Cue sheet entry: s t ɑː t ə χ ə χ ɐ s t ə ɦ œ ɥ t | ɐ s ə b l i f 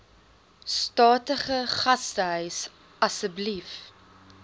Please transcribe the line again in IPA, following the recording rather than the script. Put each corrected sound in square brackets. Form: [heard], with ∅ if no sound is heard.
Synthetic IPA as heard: s t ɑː t ə χ ə χ ɐ s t ə ɦ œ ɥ [s] | ɐ s ə b l i f